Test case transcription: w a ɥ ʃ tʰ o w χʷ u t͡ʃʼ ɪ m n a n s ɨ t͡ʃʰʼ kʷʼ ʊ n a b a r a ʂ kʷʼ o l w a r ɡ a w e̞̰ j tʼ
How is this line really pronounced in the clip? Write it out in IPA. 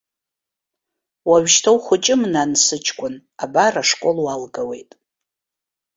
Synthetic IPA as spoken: w a ɥ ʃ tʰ o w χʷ ʊ t͡ʃʼ ɪ m n a n s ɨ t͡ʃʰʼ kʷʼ ʊ n a b a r a ʂ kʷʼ o l w a l ɡ a w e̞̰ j tʼ